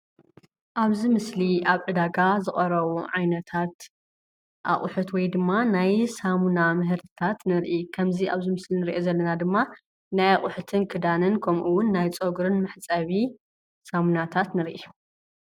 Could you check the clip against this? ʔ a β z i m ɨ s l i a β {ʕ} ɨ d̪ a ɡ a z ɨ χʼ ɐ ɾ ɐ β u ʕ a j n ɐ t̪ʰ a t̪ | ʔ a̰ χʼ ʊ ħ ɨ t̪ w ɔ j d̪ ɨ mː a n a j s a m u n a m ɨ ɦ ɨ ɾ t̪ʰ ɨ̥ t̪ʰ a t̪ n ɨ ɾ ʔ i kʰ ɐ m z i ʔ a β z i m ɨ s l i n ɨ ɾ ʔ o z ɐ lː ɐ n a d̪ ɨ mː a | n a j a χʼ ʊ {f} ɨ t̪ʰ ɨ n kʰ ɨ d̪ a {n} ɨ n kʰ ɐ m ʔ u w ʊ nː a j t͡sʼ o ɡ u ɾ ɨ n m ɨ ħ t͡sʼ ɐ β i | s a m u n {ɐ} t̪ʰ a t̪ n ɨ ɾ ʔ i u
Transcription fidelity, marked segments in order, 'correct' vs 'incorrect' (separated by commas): correct, incorrect, correct, incorrect